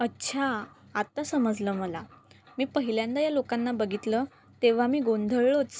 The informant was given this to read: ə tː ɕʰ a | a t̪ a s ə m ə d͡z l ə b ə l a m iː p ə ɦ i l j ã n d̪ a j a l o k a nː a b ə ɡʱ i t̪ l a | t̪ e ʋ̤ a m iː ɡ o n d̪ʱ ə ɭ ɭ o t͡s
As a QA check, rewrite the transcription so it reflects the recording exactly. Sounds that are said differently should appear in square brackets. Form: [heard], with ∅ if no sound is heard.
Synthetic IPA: ə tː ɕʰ a | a t̪ a s ə m ə d͡z l ə [m] ə l a m iː p ə ɦ i l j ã n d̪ a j a l o k a nː a b ə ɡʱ i t̪ l [ə] | t̪ e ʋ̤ a m iː ɡ o n d̪ʱ ə ɭ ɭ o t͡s